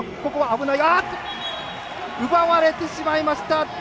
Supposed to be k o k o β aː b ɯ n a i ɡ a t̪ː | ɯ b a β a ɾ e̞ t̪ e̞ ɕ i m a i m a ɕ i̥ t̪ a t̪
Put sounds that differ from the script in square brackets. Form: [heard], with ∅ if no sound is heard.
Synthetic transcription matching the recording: k o k o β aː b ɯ n a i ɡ a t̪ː | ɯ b a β a ɾ e̞ t̪ e̞ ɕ i m a i m a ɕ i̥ t̪ a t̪